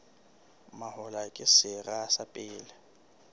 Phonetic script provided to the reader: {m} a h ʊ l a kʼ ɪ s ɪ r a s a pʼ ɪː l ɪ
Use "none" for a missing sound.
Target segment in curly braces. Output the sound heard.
m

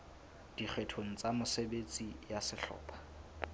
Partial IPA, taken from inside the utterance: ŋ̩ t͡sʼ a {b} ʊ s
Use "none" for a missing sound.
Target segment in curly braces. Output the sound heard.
m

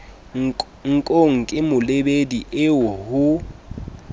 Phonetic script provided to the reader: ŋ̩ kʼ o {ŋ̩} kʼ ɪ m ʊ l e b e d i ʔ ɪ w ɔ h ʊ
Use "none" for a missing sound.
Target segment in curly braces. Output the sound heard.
ŋ̩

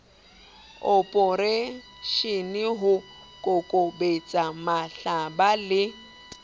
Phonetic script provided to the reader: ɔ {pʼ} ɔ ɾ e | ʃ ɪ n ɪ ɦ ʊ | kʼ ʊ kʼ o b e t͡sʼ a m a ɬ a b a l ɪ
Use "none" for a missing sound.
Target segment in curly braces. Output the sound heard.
pʼ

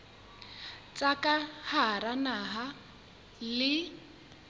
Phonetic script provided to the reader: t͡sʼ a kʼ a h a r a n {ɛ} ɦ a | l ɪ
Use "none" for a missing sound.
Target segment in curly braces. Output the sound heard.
a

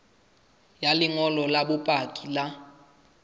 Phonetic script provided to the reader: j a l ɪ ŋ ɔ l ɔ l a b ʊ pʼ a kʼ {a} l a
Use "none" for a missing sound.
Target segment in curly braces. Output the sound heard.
i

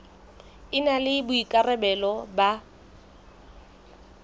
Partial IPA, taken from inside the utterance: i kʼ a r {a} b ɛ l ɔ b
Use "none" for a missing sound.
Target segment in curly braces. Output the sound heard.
ɛ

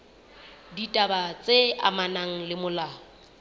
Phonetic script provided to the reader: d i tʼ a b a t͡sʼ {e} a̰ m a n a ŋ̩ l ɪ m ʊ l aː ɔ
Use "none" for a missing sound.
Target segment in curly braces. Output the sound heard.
e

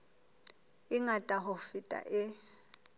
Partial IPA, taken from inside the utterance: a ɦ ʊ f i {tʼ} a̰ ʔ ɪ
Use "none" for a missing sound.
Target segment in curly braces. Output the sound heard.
tʼ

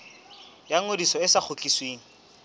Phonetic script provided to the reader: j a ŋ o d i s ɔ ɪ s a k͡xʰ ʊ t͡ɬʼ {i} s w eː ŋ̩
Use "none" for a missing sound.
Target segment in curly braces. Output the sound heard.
i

